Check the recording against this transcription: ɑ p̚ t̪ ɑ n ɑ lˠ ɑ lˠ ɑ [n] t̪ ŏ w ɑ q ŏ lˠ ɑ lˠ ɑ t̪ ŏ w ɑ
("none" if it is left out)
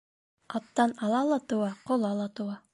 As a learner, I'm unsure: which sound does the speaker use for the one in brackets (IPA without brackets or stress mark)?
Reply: none